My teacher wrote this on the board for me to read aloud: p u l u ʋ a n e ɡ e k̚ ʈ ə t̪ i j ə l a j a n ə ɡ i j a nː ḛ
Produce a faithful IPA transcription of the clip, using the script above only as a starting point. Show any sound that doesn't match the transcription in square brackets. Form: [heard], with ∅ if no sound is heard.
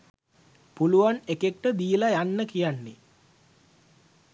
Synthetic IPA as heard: p u l u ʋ a n e [k] e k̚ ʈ ə [d̪] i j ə l a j a [nː] ə [k] i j a nː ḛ

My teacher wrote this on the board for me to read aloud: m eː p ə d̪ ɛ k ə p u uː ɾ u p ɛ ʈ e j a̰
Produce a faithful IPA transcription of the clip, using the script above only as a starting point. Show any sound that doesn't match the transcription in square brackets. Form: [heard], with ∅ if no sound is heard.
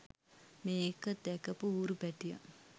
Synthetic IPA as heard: m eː [k] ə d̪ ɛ k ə p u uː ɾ u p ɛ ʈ [i] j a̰

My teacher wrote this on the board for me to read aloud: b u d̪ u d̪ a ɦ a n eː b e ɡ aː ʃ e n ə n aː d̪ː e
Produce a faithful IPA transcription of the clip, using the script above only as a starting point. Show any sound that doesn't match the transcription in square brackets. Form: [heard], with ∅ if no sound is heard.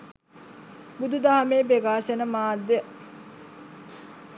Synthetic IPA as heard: b u d̪ u d̪ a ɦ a [m] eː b e ɡ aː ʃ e n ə [m] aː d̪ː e

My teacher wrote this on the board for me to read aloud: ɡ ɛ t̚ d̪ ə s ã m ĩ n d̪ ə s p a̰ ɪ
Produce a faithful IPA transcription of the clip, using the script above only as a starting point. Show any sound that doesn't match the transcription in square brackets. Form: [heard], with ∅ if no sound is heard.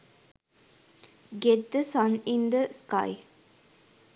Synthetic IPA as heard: ɡ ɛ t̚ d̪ ə s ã [n] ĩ n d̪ ə s [k] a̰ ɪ

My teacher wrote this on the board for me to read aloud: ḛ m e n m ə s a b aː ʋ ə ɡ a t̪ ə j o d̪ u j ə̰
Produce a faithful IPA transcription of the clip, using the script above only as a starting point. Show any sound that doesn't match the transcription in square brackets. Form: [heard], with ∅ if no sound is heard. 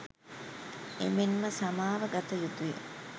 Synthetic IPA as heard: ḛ m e n m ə s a [m] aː ʋ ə ɡ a t̪ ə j [u] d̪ u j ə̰

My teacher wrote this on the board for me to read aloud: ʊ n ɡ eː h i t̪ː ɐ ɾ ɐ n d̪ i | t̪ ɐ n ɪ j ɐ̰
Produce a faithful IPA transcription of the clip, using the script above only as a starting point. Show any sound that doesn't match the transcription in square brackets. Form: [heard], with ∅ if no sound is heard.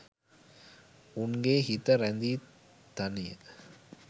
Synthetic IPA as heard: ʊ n ɡ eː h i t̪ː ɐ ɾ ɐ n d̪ i | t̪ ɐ n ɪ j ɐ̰

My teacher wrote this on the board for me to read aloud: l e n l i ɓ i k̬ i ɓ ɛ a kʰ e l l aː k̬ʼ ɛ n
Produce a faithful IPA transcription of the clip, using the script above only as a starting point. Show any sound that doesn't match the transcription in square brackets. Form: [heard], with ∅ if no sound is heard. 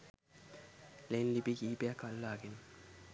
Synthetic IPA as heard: l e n l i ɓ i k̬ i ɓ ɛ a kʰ [a] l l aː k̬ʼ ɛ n

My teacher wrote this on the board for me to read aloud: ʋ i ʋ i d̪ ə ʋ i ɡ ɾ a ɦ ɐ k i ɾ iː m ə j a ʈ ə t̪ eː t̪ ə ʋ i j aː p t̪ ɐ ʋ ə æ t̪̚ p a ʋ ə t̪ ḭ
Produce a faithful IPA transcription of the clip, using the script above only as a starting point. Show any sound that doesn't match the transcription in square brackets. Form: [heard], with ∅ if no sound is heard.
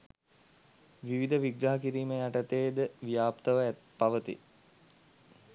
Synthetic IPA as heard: ʋ i ʋ i d̪ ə ʋ i ɡ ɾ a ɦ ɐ k i ɾ iː m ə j a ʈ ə t̪ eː [d̪] ə ʋ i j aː p t̪ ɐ ʋ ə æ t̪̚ p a ʋ ə t̪ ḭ

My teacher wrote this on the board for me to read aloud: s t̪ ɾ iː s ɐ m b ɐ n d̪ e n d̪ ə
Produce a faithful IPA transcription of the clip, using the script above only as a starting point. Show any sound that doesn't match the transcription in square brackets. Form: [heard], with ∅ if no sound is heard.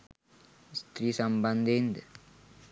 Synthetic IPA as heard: s t̪ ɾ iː s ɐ m b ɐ n d̪ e n d̪ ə

